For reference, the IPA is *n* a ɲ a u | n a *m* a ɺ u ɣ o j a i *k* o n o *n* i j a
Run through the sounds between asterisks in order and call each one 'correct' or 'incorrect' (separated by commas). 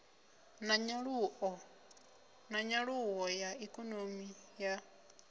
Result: correct, incorrect, correct, incorrect